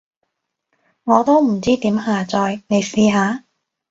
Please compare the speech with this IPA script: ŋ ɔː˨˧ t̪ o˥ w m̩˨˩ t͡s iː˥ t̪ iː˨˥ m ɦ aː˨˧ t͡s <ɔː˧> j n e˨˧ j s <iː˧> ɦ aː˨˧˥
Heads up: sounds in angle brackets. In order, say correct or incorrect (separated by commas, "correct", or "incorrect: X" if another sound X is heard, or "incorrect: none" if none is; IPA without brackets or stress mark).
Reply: correct, correct